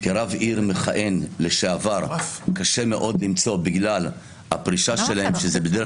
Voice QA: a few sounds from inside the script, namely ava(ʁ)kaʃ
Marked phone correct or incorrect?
correct